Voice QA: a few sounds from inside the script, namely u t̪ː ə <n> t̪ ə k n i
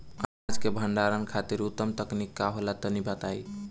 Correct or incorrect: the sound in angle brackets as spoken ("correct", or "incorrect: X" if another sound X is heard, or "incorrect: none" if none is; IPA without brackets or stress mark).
incorrect: m